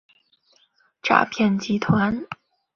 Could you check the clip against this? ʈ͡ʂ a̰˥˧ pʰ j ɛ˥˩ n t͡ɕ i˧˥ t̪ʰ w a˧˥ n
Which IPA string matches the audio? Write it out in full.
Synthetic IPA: ʈ͡ʂ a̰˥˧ pʰ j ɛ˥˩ n t͡ɕ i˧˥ t̪ʰ w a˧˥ n

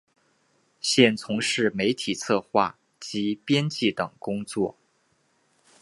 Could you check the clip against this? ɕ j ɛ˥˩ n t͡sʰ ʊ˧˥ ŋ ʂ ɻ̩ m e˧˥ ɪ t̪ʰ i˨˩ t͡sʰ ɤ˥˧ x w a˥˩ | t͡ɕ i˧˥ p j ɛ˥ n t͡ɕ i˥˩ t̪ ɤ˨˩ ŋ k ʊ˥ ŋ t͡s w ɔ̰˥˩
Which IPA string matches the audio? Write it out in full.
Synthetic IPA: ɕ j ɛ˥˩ n t͡sʰ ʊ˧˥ ŋ ʂ ɻ̩ m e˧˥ ɪ t̪ʰ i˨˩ t͡sʰ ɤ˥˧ x w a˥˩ | t͡ɕ i˧˥ p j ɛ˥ n t͡ɕ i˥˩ t̪ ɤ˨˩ ŋ k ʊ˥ ŋ t͡s w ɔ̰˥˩

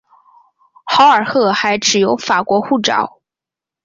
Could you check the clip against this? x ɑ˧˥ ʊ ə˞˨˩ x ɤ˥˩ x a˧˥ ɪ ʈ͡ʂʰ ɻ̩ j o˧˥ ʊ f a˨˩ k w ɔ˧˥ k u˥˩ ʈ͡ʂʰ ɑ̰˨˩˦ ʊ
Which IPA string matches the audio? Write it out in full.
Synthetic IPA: x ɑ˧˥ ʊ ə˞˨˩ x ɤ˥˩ x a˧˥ ɪ ʈ͡ʂ ɻ̩ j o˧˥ ʊ f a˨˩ k w ɔ˧˥ x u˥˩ ʈ͡ʂ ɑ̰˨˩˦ ʊ

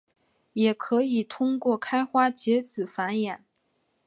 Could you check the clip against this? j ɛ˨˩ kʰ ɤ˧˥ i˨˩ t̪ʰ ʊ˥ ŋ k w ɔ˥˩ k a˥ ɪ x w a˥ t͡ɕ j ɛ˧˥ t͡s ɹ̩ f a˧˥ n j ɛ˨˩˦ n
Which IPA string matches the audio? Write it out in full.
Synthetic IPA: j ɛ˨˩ kʰ ɤ˧˥ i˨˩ t̪ʰ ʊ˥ ŋ k w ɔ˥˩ kʰ a˥ ɪ x w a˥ t͡ɕ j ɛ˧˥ t͡s ɹ̩ f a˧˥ n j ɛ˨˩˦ n

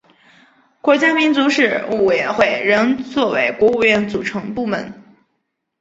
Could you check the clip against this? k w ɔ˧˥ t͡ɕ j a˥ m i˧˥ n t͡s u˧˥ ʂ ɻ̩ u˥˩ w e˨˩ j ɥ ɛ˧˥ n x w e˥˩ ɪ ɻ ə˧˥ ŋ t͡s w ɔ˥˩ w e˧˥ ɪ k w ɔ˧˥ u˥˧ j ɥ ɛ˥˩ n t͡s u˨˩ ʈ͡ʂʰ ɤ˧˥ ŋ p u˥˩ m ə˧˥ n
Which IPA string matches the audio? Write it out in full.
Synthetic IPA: k w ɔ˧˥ t͡ɕ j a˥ m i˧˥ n t͡s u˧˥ ʂ ɻ̩ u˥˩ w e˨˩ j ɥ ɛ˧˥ n x w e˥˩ ɪ ɻ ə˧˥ ŋ t͡s w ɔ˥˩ w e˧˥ ɪ k w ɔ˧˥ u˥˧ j ɥ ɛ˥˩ n t͡s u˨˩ ʈ͡ʂʰ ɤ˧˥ ŋ p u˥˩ m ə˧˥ n

